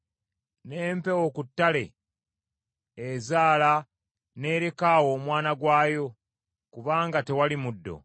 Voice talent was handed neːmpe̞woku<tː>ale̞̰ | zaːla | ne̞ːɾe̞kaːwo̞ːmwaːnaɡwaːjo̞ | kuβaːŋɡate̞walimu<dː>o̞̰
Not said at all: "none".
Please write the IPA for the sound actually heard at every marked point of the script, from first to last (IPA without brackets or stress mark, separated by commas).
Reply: tː, dː